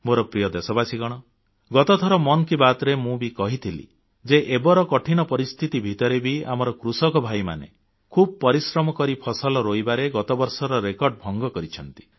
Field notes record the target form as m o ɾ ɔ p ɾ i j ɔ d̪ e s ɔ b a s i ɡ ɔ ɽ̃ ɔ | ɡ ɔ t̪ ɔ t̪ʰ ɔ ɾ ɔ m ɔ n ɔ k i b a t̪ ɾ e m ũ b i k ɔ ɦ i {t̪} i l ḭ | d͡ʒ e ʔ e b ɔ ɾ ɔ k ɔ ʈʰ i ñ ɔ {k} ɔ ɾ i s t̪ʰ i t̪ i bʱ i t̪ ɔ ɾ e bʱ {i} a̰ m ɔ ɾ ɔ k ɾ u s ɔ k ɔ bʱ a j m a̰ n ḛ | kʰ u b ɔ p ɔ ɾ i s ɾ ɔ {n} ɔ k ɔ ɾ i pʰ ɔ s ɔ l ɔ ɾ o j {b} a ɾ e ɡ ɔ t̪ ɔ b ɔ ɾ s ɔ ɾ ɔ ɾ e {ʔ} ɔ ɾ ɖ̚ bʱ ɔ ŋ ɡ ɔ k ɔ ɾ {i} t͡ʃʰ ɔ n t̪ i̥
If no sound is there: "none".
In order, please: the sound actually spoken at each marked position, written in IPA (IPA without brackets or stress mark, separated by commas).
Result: t̪ʰ, p, i, m, b, k, i